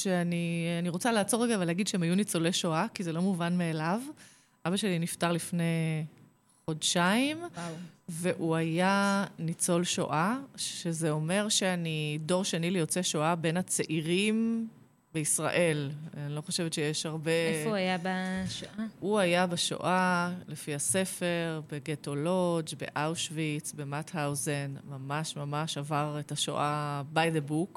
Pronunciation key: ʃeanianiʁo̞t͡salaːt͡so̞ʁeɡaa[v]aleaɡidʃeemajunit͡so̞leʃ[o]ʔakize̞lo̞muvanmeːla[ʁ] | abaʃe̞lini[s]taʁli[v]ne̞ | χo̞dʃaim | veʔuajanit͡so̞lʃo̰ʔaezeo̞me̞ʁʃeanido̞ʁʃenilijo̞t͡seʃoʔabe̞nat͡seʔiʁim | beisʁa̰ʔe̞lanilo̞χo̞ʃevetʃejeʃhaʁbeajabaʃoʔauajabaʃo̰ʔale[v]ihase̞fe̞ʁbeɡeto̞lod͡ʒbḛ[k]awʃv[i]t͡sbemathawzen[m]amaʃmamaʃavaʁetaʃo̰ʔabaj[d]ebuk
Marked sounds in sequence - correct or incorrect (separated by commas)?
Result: correct, correct, incorrect, incorrect, incorrect, incorrect, incorrect, correct, correct, correct